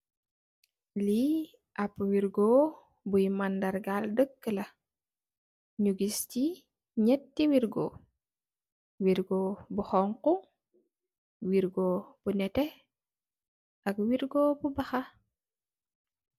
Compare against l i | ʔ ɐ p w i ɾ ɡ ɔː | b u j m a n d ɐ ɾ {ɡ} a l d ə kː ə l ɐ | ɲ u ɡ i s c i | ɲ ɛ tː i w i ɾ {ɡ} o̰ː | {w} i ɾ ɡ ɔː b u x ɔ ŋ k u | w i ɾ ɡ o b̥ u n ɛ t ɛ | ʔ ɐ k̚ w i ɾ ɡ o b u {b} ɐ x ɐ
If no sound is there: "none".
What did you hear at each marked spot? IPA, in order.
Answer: ɡ, ɡ, w, b

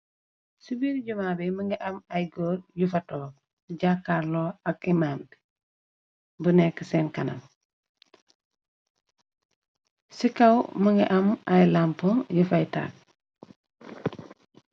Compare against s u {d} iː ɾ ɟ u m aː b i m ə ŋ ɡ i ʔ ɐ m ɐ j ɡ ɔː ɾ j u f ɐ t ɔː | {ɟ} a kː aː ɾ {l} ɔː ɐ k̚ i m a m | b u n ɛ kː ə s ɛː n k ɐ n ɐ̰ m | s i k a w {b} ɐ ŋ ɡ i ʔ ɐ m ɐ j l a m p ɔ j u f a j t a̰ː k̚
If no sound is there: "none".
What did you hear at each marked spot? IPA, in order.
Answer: b, ɟ, l, m

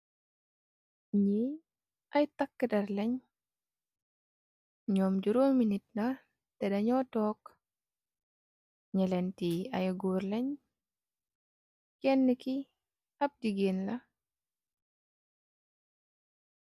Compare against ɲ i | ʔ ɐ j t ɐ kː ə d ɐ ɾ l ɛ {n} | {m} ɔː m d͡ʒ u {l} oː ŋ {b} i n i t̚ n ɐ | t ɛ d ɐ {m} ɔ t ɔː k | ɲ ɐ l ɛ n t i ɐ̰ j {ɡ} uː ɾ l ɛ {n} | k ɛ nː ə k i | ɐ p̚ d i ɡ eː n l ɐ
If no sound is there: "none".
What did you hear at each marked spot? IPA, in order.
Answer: ɲ, ɲ, ɾ, m, ɲ, ɡ, ɲ

